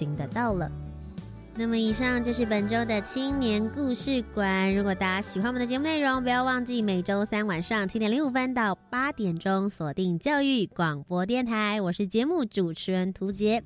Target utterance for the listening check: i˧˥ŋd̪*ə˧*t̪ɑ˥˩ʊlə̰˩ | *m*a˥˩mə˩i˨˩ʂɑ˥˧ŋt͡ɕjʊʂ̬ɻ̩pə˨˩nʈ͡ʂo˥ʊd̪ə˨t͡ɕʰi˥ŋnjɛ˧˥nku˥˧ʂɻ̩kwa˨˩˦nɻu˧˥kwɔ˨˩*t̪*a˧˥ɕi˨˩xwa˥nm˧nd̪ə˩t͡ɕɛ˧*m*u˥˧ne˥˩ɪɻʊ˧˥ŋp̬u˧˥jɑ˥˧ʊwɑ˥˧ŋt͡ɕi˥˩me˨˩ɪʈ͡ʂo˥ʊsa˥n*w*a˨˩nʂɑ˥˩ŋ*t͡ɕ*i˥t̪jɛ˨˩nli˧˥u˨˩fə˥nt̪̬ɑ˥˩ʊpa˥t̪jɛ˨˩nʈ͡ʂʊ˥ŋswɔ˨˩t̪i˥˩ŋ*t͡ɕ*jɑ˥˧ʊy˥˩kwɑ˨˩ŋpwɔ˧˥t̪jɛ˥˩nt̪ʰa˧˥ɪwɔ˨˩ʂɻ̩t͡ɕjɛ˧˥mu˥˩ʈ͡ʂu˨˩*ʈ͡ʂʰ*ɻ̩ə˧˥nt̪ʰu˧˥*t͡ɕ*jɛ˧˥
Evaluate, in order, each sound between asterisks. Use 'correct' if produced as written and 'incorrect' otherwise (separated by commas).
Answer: correct, incorrect, correct, correct, correct, incorrect, correct, correct, correct